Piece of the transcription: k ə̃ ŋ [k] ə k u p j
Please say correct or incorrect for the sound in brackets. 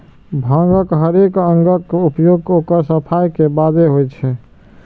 incorrect